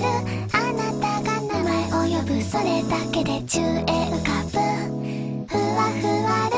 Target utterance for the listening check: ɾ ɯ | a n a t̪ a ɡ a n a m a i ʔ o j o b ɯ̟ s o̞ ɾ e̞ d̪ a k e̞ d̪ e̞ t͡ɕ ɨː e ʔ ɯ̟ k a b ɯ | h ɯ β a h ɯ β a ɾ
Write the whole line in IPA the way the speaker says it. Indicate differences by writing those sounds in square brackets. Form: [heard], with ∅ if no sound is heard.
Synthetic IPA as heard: ɾ ɯ | a n a t̪ a ɡ a n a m a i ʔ o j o b ɯ̟ s o̞ ɾ e̞ d̪ a k e̞ d̪ e̞ t͡ɕ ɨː e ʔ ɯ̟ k a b ɯ | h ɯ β a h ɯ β a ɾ